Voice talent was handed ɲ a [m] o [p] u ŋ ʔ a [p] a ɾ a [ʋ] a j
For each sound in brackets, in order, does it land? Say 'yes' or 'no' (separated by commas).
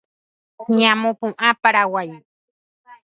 yes, yes, yes, no